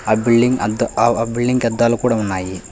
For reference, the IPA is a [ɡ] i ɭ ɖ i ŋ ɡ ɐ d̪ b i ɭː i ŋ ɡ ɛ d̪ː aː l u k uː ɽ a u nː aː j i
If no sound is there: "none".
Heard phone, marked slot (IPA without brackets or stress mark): b